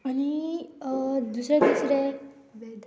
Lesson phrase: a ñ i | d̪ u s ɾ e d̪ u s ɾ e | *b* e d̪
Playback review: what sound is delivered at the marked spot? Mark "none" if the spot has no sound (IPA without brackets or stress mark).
b